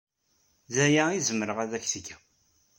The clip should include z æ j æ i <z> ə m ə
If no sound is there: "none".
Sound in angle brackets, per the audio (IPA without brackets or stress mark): z